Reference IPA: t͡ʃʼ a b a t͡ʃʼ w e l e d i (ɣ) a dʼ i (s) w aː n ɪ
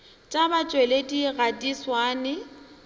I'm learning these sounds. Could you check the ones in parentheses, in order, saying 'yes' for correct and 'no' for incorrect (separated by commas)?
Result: yes, yes